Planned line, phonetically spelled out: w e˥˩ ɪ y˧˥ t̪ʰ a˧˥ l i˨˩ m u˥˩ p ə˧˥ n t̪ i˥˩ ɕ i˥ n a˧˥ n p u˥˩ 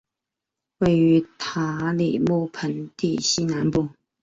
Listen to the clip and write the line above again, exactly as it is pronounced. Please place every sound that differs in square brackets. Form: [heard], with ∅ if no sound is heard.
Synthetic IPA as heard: w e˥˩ ɪ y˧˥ t̪ʰ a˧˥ l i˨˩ m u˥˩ [pʰ] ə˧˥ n t̪ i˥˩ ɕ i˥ n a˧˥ n p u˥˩